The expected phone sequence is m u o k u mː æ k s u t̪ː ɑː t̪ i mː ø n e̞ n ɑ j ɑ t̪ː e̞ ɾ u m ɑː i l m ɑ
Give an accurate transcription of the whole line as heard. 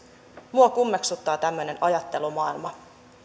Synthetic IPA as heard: m u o k u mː e k s u t̪ː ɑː t̪ æ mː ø n e̞ n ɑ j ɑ t̪ː e̞ l u m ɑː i l m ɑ